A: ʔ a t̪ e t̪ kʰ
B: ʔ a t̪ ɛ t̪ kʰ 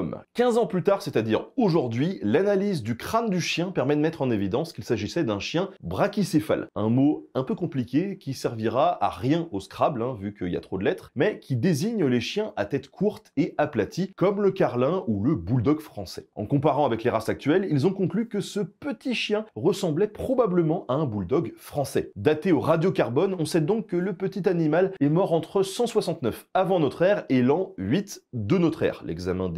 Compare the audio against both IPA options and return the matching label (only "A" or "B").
B